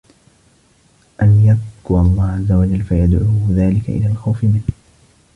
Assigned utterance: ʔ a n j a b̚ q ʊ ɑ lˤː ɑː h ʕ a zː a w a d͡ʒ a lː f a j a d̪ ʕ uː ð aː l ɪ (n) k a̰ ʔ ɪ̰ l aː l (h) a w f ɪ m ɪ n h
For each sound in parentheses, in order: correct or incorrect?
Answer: incorrect, incorrect

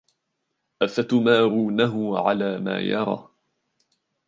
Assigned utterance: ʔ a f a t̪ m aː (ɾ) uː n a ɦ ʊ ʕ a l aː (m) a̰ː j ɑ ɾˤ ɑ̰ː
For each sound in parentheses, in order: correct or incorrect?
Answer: correct, correct

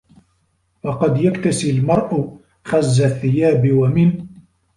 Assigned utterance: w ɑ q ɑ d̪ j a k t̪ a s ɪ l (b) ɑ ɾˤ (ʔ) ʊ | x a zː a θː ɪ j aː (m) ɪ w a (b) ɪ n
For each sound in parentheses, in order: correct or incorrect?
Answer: incorrect, correct, incorrect, incorrect

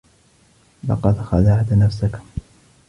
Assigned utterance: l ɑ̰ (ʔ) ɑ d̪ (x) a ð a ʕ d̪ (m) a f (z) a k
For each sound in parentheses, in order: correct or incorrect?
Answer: incorrect, correct, incorrect, incorrect

